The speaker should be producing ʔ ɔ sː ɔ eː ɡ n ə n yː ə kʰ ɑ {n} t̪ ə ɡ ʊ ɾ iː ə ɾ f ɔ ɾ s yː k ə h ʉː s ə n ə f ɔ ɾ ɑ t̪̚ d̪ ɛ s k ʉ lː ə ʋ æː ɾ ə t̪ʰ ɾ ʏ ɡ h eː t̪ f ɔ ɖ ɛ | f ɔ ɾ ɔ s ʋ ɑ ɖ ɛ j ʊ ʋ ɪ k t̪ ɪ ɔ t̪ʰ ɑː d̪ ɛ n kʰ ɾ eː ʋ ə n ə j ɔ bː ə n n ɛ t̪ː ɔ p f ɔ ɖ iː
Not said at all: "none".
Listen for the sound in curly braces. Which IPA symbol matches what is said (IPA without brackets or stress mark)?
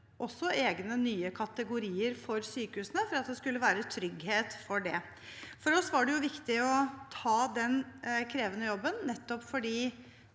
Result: none